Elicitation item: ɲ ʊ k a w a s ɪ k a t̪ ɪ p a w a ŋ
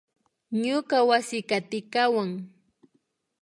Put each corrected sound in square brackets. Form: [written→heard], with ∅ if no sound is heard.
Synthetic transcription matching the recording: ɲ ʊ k a w a s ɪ k a t̪ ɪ [p→k] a w a ŋ